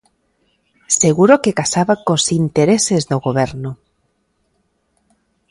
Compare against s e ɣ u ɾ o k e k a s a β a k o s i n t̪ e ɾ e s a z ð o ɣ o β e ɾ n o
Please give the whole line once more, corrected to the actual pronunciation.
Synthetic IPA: s e ɣ u ɾ o k e k a s a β a k o s i n t̪ e ɾ e s e z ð o ɣ o β e ɾ n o